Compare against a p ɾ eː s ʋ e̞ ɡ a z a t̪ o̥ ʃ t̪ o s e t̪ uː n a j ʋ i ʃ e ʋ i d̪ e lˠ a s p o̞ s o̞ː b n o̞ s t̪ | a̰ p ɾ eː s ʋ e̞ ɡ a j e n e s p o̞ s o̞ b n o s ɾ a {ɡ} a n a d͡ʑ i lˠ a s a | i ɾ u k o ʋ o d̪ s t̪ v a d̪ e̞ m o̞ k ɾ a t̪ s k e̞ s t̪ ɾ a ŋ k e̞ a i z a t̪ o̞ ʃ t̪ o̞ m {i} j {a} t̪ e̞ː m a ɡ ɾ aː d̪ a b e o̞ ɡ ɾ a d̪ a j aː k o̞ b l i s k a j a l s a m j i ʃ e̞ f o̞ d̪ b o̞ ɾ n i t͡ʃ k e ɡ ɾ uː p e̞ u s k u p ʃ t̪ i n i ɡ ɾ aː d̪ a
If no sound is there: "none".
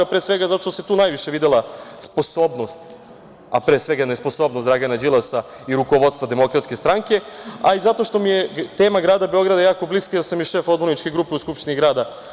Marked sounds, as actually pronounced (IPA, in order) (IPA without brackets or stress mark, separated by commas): ɡ, i, e